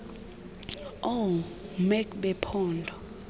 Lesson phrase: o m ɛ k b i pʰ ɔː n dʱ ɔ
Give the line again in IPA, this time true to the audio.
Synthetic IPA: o m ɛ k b ɛ pʰ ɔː n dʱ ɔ